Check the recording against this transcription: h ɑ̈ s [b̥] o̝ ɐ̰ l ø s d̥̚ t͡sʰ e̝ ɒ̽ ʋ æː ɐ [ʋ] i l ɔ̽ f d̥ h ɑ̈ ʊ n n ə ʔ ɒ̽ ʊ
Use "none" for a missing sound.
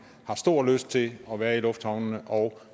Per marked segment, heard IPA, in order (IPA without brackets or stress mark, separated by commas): d̥, none